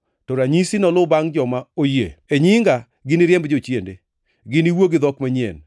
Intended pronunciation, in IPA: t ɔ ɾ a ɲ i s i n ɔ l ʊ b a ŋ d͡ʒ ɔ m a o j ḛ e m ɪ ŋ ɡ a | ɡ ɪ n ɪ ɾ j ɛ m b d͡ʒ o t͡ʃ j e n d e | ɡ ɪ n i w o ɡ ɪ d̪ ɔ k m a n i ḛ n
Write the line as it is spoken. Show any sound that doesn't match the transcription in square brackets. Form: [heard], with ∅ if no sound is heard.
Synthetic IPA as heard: t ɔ ɾ a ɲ i s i n ɔ l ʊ b a ŋ d͡ʒ ɔ m a o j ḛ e [ɲ] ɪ ŋ ɡ a | ɡ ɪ n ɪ ɾ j ɛ m b d͡ʒ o t͡ʃ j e n d e | ɡ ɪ n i w o ɡ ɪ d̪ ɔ k m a [ɲ] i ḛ n